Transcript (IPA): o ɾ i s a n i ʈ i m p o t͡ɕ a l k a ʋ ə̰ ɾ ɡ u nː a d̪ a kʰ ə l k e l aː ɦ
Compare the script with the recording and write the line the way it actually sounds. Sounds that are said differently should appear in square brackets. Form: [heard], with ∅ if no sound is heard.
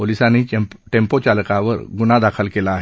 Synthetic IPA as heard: o [l] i s a n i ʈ [e] m p o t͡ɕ a l k a ʋ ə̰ ɾ ɡ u [n] a d̪ a kʰ ə l k e l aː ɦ